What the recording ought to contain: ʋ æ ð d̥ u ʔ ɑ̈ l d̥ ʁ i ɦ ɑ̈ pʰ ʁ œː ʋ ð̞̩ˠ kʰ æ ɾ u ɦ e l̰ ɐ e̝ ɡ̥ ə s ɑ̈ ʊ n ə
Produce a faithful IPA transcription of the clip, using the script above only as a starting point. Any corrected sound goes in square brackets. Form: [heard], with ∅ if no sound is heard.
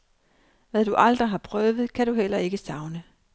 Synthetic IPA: ʋ æ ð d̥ u ʔ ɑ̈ l d̥ ʁ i ɦ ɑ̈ pʰ ʁ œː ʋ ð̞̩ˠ kʰ æ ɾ u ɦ e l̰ ɐ e̝ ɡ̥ ə s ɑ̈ ʊ n ə